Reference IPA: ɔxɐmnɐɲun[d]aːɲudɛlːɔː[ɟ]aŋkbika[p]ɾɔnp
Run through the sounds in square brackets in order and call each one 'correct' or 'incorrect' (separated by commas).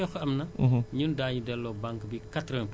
correct, incorrect, incorrect